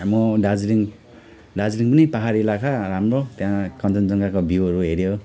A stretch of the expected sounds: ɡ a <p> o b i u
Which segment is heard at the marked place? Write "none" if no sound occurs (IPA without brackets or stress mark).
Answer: k